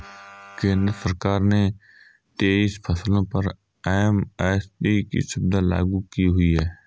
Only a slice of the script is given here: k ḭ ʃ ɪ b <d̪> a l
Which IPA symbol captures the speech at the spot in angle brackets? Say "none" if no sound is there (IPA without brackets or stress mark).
d̪